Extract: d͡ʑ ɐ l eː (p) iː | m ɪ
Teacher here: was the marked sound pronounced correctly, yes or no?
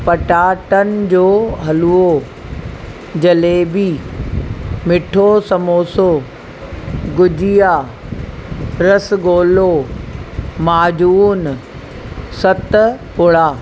no